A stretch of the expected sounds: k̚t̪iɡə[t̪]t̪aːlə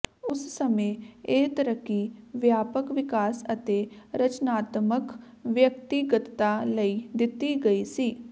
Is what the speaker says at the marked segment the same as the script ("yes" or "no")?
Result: yes